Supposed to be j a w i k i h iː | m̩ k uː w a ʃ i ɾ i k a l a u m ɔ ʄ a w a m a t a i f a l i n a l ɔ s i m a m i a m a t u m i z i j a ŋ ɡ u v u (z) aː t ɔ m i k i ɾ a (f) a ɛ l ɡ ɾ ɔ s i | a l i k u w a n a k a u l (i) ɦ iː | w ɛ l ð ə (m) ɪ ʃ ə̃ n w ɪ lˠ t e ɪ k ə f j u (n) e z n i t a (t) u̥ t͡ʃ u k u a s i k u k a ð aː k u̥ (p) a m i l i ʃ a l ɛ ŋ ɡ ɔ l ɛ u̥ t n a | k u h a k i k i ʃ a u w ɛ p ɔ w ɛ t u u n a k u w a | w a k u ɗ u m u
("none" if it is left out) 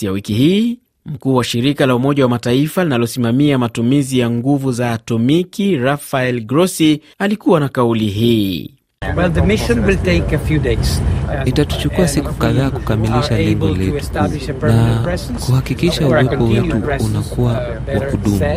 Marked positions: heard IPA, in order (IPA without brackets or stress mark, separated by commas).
z, f, i, m, d, t, k